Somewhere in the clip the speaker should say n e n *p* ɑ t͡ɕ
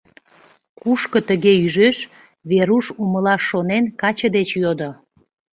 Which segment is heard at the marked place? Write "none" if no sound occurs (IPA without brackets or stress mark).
k